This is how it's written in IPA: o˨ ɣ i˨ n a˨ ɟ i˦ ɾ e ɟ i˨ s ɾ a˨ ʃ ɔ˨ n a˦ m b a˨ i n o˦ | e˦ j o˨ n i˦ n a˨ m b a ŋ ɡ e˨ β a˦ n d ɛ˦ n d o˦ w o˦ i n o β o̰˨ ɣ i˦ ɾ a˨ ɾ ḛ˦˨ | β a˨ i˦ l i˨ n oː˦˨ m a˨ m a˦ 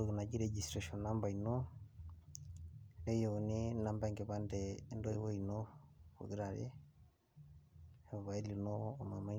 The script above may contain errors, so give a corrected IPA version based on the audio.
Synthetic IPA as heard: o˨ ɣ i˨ n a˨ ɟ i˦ ɾ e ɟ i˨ s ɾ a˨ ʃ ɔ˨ n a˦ m b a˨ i n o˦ | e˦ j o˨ n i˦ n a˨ m b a ŋ ɡ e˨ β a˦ n d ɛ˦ n d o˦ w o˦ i n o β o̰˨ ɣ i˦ ɾ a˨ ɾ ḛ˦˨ | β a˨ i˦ l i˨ n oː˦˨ m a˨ m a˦